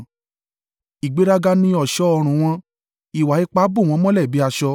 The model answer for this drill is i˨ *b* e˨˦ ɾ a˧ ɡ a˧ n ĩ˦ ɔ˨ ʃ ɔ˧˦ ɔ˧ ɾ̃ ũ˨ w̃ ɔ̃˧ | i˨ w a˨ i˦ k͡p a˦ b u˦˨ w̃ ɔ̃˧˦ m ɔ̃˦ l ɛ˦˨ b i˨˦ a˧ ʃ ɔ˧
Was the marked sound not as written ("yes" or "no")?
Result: yes